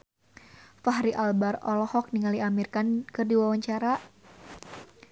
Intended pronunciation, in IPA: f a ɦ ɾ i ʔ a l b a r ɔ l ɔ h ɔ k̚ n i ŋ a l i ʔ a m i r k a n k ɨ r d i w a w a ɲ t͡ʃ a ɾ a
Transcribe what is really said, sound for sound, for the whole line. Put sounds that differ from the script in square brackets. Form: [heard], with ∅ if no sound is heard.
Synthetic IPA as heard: f a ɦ ɾ i ʔ a l b a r ɔ l ɔ h ɔ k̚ n i ŋ a l i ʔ a m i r k a n k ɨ r d i w a w a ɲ t͡ʃ a ɾ a